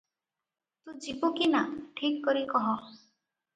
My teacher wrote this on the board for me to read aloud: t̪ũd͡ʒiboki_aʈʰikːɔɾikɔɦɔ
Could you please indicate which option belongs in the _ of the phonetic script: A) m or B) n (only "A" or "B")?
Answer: B